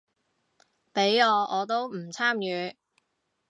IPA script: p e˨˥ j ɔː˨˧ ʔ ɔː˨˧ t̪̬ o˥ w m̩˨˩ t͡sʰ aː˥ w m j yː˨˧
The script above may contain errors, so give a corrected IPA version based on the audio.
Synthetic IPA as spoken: p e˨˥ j ɔː˨˧ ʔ ɔː˨˧ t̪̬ o˥ w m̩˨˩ t͡sʰ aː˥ m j yː˨˧